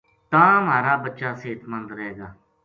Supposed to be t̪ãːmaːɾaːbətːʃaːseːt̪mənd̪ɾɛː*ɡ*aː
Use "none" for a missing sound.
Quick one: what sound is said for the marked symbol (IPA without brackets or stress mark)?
ɡ